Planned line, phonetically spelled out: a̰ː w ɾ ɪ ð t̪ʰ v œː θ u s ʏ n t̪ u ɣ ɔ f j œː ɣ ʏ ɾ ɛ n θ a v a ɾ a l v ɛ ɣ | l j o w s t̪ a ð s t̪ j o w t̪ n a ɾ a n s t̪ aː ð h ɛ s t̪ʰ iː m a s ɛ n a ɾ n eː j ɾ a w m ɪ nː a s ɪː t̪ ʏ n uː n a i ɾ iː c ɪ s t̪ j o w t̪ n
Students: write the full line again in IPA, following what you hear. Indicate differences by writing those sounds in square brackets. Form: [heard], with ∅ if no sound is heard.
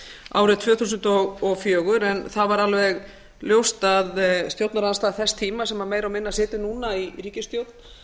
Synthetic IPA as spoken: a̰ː w ɾ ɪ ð t̪ʰ v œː θ u s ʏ n t̪ [ɔ] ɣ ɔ f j œː ɣ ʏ ɾ ɛ n θ a v a ɾ a l v ɛ ɣ | l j o w s t̪ a ð s t̪ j o w t̪ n a ɾ a n s t̪ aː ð [θ] ɛ s t̪ʰ iː m a s ɛ [m] a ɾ [m] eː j ɾ a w m ɪ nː a s ɪː t̪ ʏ n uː n a i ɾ iː c ɪ s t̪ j o w t̪ n